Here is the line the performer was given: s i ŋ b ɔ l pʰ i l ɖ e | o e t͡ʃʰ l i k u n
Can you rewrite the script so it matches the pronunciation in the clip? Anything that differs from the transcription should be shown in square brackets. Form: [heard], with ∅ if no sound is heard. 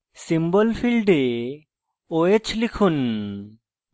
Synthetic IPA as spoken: s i [m] b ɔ l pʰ i l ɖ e | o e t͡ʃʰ l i [kʰ] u n